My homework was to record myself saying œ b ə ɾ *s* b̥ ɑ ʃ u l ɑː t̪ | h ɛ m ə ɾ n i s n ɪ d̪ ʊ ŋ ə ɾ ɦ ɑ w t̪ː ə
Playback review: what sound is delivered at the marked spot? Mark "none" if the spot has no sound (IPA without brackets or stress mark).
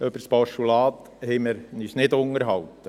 s